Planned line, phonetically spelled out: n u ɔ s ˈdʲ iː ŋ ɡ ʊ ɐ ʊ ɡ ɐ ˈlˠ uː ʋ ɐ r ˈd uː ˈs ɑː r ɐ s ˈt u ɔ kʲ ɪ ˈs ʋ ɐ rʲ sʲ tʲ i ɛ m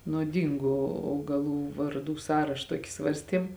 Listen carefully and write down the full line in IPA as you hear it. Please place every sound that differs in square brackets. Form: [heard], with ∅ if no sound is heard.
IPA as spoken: n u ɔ [∅] ˈdʲ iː ŋ ɡ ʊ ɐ ʊ ɡ ɐ ˈlˠ uː ʋ ɐ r ˈd uː ˈs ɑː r ɐ [ʃ] ˈt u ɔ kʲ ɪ ˈs ʋ ɐ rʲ sʲ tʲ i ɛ m